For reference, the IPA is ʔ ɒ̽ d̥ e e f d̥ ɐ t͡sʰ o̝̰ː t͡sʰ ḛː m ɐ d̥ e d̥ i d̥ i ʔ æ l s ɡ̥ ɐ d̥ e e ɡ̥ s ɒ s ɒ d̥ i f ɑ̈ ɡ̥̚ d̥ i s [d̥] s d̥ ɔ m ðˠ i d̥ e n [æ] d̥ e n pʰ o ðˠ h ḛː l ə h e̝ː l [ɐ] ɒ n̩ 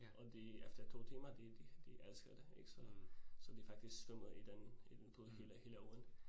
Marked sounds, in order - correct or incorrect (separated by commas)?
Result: incorrect, incorrect, incorrect